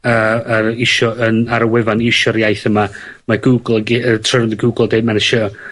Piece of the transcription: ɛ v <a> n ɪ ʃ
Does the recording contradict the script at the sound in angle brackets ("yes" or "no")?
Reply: no